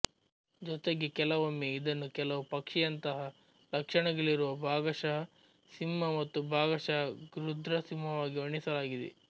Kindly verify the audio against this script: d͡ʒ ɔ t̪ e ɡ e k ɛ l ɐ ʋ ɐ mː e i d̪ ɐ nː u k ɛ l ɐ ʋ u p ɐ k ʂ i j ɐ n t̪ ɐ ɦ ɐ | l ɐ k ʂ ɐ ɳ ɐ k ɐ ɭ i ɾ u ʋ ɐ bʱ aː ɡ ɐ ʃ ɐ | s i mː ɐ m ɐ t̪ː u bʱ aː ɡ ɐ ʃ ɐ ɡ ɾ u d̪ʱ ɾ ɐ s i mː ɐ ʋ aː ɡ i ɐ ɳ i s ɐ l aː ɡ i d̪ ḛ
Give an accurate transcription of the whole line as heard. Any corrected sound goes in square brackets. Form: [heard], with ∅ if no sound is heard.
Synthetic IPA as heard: d͡ʒ ɔ t̪ e ɡ e k ɛ l ɐ ʋ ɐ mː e i d̪ ɐ nː u k ɛ l ɐ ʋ u p ɐ k ʂ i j ɐ n t̪ ɐ ɦ ɐ | l ɐ k ʂ ɐ ɳ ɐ [ɡ] ɐ ɭ i ɾ u ʋ ɐ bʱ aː ɡ ɐ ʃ ɐ | s i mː ɐ m ɐ t̪ː u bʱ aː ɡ ɐ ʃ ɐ ɡ ɾ u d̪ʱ ɾ ɐ s i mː ɐ ʋ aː ɡ i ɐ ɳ i s ɐ l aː ɡ i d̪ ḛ